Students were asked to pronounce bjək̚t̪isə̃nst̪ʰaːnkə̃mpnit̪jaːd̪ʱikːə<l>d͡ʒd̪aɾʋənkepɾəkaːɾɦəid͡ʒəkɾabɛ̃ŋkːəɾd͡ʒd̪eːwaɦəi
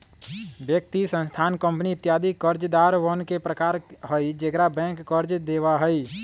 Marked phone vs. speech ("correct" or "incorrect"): incorrect